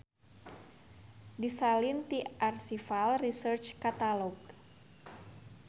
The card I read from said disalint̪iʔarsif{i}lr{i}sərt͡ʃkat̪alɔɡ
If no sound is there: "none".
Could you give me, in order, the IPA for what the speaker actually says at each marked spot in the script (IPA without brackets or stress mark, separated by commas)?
a, i